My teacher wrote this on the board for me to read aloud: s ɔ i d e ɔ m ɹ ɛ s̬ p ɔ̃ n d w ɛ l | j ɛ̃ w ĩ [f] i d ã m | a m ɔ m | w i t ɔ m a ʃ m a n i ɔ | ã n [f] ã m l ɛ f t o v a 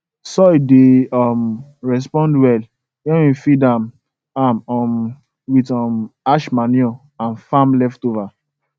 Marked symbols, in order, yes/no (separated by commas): yes, yes